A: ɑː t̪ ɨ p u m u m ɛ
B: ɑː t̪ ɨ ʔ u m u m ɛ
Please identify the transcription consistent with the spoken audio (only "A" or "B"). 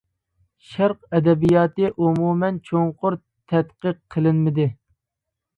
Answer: B